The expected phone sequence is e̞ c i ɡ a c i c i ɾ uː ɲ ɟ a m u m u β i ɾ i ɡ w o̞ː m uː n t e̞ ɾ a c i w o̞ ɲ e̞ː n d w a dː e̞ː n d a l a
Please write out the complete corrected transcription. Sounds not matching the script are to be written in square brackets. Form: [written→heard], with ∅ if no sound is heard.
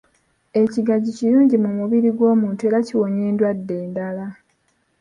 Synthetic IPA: e̞ c i ɡ a [c→ɟ] i c i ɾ uː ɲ ɟ [a→i] m u m u β i ɾ i ɡ w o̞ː m uː n t e̞ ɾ a c i w o̞ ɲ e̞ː n d w a dː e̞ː n d a l a